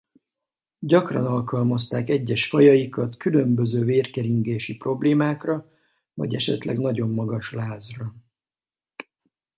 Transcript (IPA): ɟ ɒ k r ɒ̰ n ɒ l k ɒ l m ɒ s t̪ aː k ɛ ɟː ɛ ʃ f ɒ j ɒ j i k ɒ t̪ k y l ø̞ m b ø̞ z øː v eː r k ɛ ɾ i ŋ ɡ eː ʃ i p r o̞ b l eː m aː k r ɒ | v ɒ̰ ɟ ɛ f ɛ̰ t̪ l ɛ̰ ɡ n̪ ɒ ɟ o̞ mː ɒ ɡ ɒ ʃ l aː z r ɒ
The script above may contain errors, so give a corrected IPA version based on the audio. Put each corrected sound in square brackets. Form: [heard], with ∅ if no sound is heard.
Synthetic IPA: ɟ ɒ k r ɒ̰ n ɒ l k ɒ l m ɒ s t̪ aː k ɛ ɟː ɛ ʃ f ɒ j ɒ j i k ɒ t̪ k y l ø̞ m b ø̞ z øː v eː r k ɛ ɾ i ŋ ɡ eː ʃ i p r o̞ b l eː m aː k r ɒ | v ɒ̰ ɟ ɛ [ʃ] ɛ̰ t̪ l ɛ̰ ɡ n̪ ɒ ɟ o̞ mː ɒ ɡ ɒ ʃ l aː z r ɒ

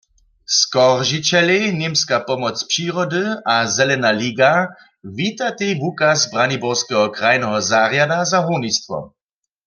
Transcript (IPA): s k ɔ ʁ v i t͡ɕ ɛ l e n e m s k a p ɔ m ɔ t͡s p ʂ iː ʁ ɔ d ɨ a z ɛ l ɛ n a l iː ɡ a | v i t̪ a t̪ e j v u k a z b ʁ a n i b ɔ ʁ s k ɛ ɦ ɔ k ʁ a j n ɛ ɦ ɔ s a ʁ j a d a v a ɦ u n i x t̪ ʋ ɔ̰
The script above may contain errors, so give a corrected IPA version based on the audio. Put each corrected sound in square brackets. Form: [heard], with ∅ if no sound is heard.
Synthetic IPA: s k ɔ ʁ [ʒ] i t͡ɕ ɛ l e n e m s k a p ɔ m ɔ t͡s p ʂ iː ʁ ɔ d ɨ a z ɛ l ɛ n a l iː ɡ a | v i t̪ a t̪ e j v u k a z b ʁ a n i b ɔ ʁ s k ɛ ɦ ɔ k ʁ a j n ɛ ɦ ɔ [z] a ʁ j a d a [z] a ɦ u n i [s] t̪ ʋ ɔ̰

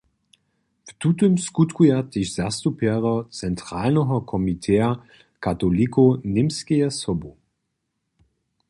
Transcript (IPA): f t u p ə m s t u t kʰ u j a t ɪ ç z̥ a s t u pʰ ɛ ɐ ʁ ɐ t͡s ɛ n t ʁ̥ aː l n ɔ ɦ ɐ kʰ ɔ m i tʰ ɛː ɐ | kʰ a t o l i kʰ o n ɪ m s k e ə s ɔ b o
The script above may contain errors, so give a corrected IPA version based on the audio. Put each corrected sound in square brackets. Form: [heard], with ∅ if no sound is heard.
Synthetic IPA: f t u [t] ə m s [k] u t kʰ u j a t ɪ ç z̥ a s t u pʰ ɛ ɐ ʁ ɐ t͡s ɛ n t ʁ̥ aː l n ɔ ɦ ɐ kʰ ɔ m i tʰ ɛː ɐ | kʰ a t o l i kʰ o n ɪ m s k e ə s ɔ b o

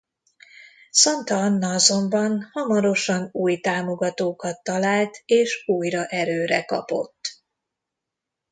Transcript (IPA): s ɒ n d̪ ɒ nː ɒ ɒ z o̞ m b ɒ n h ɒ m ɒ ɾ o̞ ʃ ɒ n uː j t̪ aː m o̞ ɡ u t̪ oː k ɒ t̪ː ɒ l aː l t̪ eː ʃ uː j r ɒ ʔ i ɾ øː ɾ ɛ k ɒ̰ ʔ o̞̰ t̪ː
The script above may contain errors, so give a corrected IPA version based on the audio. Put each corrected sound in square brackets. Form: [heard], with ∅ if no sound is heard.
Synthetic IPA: s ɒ n [t̪] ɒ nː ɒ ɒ z o̞ m b ɒ n h ɒ m ɒ ɾ o̞ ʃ ɒ n uː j t̪ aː m o̞ ɡ [ɒ] t̪ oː k ɒ t̪ː ɒ l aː l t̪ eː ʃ uː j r ɒ ʔ [ɛ] ɾ øː ɾ ɛ k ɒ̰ [p] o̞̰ t̪ː

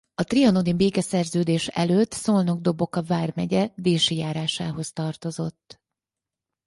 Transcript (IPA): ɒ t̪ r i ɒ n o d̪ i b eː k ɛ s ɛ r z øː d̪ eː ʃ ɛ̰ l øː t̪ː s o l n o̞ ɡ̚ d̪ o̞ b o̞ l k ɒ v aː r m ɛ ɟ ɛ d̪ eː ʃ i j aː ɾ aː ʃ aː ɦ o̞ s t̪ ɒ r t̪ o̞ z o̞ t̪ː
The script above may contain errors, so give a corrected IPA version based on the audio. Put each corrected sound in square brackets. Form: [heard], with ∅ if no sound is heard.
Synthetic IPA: ɒ t̪ r i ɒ n o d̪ i b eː k ɛ s ɛ r z øː d̪ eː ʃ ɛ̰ l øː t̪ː s o l n o̞ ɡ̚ d̪ o̞ b o̞ [∅] k ɒ v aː r m ɛ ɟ ɛ d̪ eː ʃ i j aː ɾ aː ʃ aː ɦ o̞ s t̪ ɒ r t̪ o̞ z o̞ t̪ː

